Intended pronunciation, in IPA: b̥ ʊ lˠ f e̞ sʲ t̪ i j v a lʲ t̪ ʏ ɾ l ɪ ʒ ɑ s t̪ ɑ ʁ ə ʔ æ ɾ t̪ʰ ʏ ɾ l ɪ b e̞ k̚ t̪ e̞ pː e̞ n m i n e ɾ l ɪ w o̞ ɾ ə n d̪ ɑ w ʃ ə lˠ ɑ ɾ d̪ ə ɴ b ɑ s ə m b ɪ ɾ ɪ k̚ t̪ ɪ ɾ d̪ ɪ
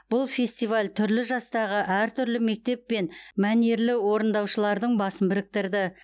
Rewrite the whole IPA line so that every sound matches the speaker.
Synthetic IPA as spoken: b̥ ʊ lˠ f e̞ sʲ t̪ i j v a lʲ t̪ʰ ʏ ɾ l ɪ ʒ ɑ s t̪ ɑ ʁ ə ʔ æ ɾ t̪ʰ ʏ ɾ l ɪ m e̞ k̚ t̪ e̞ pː e̞ n m æ n e ɾ l ɪ w o̞ ɾ ə n d̪ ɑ w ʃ ə lˠ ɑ ɾ d̪ ə ɴ b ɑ s ə m b ɪ ɾ ɪ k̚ t̪ ɪ ɾ d̪ ɪ